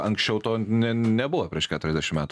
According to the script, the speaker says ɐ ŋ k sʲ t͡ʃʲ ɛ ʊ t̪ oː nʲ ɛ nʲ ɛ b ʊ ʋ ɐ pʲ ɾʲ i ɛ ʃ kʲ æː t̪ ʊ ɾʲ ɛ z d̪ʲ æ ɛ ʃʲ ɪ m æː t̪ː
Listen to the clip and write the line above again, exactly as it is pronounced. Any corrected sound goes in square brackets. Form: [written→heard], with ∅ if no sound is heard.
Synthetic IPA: ɐ ŋ k sʲ t͡ʃʲ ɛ ʊ t̪ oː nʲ ɛ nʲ ɛ b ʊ ʋ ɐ pʲ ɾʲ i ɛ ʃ kʲ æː t̪ ʊ ɾʲ ɛ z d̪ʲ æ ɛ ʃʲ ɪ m æː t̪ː